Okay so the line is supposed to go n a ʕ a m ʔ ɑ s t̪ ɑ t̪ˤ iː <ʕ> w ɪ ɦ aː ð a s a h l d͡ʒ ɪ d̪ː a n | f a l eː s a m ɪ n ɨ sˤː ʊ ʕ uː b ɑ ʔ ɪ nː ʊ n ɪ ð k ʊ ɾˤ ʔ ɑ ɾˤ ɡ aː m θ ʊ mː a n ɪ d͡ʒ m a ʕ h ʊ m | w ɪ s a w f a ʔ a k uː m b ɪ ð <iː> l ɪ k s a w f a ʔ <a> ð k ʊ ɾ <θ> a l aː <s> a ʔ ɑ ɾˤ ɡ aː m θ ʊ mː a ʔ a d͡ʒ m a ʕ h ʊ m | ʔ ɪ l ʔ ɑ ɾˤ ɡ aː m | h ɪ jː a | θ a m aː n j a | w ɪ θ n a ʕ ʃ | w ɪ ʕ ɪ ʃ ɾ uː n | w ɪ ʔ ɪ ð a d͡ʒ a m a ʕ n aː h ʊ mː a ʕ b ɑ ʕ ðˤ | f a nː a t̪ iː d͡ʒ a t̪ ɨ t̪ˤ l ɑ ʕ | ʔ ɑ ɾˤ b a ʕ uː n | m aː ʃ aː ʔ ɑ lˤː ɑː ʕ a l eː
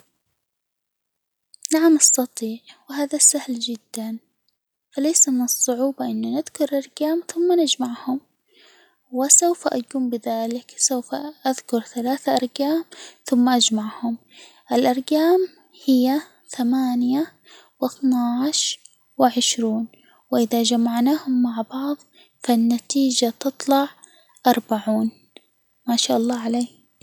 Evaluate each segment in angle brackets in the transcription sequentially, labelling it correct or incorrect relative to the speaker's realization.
correct, incorrect: aː, correct, correct, incorrect: θ

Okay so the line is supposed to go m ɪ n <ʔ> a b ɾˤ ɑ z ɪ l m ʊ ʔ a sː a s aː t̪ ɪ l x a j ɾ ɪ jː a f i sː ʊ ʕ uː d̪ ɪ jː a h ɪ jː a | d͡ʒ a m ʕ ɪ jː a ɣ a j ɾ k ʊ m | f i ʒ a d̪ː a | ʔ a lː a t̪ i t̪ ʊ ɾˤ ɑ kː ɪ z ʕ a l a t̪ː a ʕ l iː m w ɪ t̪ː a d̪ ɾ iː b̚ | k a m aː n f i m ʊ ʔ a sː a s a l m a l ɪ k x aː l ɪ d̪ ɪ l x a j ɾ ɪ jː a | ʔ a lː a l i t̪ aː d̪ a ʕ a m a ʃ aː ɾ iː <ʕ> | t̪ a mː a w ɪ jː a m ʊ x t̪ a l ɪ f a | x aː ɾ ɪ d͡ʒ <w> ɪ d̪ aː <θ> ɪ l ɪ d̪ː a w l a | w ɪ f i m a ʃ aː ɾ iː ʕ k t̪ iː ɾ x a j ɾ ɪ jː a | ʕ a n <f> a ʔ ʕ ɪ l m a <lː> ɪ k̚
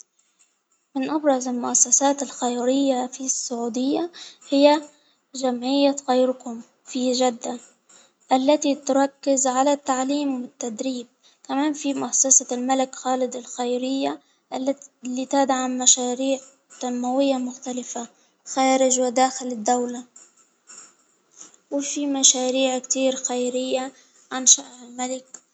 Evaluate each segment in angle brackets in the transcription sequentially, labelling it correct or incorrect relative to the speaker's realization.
correct, correct, correct, incorrect: x, incorrect: ʃ, incorrect: l

